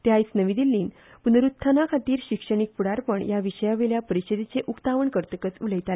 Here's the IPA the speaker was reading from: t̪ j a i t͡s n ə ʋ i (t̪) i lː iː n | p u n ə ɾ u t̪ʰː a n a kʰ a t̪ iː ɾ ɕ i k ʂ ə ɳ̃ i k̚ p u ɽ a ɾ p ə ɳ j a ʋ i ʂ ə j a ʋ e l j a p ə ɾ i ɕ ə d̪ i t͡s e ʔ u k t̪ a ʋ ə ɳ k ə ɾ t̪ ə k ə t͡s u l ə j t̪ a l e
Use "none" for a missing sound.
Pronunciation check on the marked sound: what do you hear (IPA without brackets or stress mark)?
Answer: d̪